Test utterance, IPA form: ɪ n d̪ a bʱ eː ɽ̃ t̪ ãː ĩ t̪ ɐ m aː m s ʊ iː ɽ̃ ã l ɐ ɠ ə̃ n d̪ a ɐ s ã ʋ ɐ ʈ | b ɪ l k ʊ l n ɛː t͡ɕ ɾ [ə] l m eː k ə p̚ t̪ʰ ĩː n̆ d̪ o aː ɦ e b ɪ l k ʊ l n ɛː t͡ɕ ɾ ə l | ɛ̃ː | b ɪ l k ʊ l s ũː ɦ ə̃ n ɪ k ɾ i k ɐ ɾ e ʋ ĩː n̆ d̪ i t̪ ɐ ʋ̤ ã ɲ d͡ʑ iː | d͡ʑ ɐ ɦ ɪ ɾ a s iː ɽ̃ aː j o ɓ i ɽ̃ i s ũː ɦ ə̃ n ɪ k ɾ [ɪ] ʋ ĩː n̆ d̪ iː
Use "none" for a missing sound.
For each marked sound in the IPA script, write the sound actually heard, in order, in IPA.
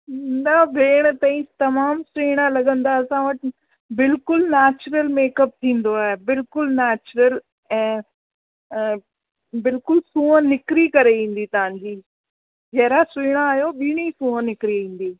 ə, i

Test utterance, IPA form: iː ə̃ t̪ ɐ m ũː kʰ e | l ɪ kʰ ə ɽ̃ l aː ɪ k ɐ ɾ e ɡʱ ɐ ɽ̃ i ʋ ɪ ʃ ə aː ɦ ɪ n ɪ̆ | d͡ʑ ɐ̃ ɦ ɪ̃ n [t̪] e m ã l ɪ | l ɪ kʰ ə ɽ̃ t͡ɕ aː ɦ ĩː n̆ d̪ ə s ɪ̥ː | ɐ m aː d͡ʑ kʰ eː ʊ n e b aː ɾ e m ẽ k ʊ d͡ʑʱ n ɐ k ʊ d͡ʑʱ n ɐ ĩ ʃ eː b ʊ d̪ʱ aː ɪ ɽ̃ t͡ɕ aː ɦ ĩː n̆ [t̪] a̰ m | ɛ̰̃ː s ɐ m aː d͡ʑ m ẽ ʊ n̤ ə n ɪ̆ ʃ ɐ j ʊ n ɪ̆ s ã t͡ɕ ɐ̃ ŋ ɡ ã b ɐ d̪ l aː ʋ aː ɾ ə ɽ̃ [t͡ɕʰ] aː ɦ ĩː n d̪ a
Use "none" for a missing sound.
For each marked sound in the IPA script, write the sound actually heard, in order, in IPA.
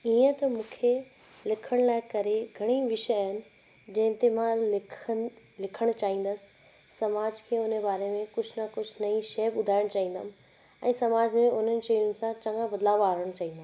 t̪, d̪, t͡ɕ

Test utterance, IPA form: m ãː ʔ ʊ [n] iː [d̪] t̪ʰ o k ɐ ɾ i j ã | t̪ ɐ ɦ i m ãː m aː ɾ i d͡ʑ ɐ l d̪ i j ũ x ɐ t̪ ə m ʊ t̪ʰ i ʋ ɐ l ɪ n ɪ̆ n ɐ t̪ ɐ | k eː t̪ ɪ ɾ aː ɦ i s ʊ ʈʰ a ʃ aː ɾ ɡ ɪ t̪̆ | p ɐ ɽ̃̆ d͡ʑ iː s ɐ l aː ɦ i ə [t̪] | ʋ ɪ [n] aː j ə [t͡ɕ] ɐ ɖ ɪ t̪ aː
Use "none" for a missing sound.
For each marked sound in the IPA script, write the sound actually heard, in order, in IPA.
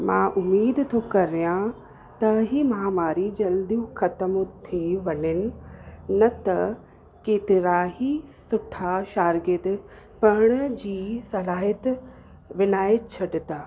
m, d̪, t̪, n, t͡ɕʰ

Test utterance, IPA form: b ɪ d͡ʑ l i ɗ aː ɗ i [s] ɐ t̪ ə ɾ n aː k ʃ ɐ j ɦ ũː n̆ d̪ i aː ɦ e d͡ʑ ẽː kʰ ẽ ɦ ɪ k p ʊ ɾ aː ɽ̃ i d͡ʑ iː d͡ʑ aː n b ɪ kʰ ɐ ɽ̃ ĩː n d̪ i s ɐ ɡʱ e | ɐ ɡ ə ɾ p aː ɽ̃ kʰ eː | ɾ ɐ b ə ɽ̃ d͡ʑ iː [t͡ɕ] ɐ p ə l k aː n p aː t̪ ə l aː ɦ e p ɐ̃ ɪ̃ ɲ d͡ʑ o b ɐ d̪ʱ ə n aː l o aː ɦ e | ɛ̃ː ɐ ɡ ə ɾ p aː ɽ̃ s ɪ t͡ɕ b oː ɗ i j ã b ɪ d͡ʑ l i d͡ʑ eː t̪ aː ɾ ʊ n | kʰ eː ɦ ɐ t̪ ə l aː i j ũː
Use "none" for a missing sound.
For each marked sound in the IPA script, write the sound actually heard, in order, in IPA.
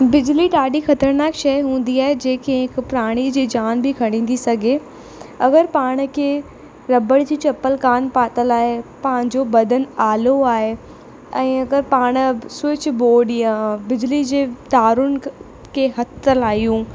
x, t͡ɕ

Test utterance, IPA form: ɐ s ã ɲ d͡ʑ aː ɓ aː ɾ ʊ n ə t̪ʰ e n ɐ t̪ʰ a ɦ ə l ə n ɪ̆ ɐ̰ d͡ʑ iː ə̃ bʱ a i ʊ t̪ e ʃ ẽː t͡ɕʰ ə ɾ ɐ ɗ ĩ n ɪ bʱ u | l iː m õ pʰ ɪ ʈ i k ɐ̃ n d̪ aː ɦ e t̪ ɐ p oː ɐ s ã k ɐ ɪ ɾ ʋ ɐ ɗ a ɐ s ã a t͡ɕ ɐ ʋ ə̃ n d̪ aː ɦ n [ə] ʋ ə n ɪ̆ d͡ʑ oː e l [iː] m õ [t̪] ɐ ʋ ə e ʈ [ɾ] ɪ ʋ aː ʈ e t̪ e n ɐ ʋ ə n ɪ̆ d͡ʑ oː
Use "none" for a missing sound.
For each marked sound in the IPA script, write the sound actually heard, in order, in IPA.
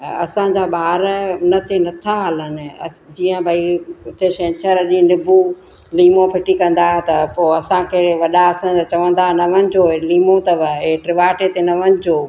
ɐ, iː, t̪, ɾ

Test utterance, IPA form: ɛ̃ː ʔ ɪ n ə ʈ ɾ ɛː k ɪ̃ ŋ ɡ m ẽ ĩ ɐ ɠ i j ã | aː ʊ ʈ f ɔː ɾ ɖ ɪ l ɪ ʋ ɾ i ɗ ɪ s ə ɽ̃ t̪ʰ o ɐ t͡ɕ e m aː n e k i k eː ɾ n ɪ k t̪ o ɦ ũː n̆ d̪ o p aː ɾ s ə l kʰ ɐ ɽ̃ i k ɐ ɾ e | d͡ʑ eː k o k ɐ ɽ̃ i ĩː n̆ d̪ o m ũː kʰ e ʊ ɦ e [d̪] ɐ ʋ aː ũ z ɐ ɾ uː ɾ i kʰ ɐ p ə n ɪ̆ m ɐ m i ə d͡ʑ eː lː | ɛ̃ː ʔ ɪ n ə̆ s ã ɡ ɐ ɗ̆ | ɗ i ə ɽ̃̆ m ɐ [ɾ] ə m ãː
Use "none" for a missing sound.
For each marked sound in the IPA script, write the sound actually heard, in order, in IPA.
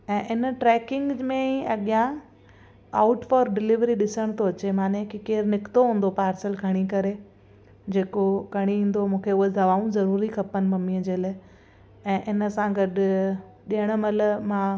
d̪, l

